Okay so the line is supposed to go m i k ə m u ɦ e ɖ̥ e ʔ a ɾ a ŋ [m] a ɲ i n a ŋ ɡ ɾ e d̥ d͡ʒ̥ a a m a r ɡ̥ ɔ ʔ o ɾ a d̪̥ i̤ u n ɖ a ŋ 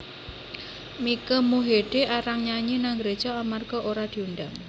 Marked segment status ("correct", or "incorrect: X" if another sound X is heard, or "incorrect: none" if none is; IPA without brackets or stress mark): incorrect: ɲ